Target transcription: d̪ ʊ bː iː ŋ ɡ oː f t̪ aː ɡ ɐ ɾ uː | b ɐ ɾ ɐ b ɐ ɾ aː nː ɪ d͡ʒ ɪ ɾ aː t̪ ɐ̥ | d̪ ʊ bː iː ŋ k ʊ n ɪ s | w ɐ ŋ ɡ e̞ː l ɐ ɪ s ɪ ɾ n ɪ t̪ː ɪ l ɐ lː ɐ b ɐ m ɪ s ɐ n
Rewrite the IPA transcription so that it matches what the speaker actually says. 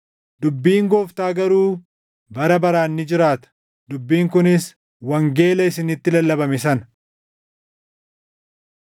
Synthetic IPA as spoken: d̪ ʊ bː iː ŋ ɡ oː f t̪ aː ɡ ɐ ɾ uː | b ɐ ɾ ɐ b ɐ ɾ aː nː ɪ d͡ʒ ɪ ɾ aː t̪ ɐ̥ | d̪ ʊ bː iː ŋ k ʊ n ɪ s | w ɐ ŋ ɡ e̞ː l ɐ ɪ s ɪ n ɪ t̪ː ɪ l ɐ lː ɐ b ɐ m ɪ s ɐ n